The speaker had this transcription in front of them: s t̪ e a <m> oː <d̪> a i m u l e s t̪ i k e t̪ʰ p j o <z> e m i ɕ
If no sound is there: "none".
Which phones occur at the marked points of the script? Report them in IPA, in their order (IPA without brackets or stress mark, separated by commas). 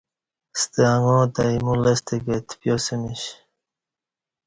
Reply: ŋ, t̪, s